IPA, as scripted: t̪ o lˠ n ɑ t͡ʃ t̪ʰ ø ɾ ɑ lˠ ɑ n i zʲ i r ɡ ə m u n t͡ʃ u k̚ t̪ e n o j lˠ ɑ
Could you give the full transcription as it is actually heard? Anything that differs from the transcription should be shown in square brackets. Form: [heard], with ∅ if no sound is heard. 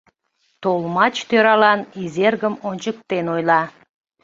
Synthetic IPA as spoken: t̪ o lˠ [m] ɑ t͡ʃ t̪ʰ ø ɾ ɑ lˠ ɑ n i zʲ [e] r ɡ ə m [o] n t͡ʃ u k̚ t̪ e n o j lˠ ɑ